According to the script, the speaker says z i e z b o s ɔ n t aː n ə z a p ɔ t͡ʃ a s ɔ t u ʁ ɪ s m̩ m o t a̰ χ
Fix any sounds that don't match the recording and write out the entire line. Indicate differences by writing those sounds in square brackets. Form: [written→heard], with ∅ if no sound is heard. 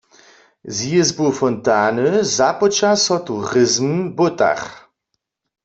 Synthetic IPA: z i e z b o [s→f] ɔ n t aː n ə z a p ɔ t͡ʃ a s ɔ t u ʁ ɪ [s→z] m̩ [m→b] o t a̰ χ